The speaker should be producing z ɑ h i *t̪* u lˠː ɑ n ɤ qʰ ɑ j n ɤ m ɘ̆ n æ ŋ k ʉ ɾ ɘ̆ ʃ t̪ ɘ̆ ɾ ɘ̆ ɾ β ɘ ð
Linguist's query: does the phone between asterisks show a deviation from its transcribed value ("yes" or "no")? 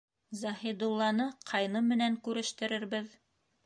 yes